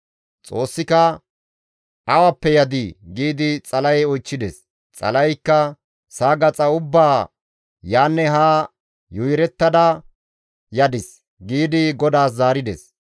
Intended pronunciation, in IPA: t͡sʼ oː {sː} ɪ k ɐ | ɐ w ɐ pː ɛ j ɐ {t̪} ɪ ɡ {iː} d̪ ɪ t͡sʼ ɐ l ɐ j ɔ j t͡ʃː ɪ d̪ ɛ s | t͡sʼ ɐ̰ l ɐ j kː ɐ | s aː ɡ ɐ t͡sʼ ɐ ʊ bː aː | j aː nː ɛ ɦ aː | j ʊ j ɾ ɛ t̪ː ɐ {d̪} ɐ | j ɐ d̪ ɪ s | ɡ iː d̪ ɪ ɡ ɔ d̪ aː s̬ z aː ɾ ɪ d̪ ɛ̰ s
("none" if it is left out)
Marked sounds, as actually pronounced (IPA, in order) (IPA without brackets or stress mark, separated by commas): sː, d̪, iː, d̪